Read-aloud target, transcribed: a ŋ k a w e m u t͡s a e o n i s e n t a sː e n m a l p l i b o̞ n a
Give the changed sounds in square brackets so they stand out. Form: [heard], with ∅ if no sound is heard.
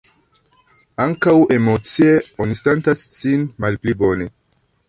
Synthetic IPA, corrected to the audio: a ŋ k a w e m [o] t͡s [i] e o n i s e n t a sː [i] n m a l p l i b o̞ n [e]